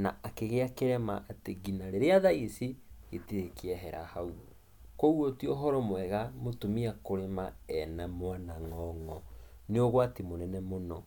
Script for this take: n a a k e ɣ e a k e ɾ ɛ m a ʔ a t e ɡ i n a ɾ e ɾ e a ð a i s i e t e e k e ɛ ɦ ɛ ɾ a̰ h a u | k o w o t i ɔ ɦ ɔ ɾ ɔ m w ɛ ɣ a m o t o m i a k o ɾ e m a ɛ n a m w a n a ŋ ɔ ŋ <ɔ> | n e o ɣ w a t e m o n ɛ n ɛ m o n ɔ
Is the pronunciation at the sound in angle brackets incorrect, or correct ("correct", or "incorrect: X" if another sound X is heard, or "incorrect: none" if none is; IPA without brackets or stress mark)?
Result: correct